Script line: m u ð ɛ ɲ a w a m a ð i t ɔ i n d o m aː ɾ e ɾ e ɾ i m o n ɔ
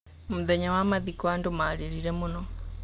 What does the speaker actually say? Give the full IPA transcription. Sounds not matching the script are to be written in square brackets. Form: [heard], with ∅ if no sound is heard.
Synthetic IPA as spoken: m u ð ɛ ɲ a w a m a ð i [k] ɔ [a] n d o m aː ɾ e ɾ [i] ɾ [ɛ] m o n ɔ